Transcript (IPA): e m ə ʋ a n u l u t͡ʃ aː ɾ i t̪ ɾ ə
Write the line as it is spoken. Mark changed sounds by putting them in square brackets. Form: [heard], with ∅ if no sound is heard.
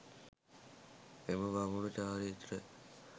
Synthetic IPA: e m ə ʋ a [m] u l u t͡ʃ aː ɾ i t̪ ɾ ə